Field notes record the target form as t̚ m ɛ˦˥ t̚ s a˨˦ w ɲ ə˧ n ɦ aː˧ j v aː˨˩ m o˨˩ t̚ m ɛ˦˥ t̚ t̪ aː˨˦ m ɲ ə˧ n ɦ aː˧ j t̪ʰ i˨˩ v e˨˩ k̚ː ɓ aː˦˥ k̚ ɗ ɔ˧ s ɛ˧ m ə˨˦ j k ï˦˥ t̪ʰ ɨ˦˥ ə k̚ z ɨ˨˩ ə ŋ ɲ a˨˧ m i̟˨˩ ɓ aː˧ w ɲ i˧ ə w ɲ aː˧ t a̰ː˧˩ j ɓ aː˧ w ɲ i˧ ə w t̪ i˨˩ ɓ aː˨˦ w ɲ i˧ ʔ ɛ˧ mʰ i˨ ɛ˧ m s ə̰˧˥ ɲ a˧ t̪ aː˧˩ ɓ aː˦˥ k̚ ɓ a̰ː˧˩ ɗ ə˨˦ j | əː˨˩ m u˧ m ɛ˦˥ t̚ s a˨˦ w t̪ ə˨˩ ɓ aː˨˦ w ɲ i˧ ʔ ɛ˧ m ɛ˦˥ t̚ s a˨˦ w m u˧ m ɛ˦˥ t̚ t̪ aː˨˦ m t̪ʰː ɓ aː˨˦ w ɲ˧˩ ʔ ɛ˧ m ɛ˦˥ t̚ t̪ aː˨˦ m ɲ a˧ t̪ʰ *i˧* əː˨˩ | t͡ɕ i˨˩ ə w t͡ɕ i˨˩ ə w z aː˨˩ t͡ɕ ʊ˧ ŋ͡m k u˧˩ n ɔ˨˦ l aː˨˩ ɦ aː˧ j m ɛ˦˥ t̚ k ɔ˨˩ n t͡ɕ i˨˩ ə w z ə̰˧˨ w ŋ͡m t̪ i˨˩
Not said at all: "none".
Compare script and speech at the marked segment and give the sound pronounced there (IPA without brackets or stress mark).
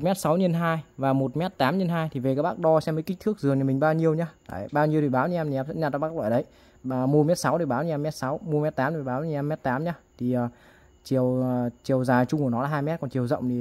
i˨˩